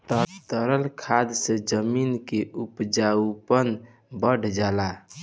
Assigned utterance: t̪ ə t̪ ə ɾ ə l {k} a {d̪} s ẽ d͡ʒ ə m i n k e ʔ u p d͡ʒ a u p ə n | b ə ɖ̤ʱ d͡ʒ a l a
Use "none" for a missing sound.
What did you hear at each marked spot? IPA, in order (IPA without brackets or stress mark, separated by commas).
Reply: kʰ, d̪